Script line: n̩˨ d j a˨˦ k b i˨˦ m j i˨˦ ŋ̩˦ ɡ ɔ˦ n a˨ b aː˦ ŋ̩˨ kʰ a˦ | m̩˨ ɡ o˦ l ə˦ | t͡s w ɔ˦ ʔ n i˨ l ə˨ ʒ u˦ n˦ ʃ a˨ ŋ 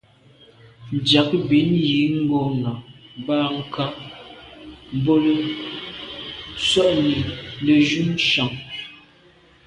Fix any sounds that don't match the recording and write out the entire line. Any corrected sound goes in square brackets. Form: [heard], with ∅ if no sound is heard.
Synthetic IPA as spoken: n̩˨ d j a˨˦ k b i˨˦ [n] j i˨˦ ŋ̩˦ ɡ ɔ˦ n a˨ b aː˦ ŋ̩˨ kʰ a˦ | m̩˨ [b] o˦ l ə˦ | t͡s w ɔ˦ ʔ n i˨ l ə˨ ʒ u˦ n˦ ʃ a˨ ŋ